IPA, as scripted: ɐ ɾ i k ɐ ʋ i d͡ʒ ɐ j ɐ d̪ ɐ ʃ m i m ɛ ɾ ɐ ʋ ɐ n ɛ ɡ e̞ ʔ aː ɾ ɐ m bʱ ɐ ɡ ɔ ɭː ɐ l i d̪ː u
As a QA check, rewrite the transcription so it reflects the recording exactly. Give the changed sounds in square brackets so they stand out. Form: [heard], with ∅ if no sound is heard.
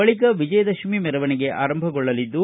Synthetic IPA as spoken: ɐ [ɭ] i k ɐ ʋ i d͡ʒ ɐ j ɐ d̪ ɐ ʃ m i m ɛ ɾ ɐ ʋ ɐ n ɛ ɡ e̞ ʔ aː ɾ ɐ m bʱ ɐ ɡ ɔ ɭː ɐ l i d̪ː u